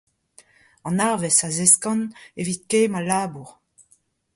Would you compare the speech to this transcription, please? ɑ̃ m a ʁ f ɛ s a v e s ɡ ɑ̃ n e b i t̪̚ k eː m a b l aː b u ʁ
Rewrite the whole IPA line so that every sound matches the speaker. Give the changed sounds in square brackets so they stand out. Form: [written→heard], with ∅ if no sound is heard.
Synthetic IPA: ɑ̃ [m→n] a ʁ [f→v] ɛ s a [v→z] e s [ɡ→k] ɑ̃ n e [b→v] i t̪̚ k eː m a [b→∅] l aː b u ʁ